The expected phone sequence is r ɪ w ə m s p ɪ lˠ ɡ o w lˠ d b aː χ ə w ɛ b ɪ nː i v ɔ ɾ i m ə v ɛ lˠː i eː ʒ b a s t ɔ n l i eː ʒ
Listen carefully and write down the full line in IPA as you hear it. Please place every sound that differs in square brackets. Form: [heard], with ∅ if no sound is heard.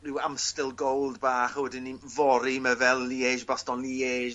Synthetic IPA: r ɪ w [a] m s [t] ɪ lˠ ɡ o w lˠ d b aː χ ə w ɛ [d] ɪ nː i v ɔ ɾ i m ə v ɛ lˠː i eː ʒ b a s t ɔ n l i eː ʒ